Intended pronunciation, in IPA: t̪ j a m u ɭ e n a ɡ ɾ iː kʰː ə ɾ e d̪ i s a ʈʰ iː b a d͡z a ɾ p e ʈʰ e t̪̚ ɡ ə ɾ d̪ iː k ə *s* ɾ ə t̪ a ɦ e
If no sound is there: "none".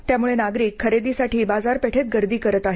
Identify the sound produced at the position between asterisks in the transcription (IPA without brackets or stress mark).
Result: none